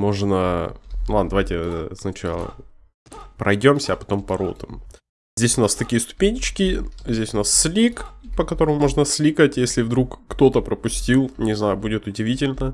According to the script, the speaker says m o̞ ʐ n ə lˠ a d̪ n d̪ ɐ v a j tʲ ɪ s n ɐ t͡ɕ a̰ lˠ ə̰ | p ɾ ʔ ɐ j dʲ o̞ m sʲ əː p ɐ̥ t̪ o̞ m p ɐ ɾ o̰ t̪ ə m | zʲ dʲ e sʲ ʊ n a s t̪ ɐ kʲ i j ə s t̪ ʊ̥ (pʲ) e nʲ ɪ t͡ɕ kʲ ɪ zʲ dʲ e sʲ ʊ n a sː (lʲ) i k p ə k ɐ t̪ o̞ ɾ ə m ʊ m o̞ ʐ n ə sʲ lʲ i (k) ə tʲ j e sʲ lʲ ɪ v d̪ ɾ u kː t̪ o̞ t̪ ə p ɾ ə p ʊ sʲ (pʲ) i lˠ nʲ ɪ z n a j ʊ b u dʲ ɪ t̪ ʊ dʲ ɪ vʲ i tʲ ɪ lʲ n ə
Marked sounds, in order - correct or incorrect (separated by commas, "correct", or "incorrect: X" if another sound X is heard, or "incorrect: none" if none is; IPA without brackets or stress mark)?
correct, correct, correct, incorrect: tʲ